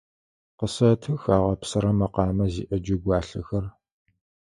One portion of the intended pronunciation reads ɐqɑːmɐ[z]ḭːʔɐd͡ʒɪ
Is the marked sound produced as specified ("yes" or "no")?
yes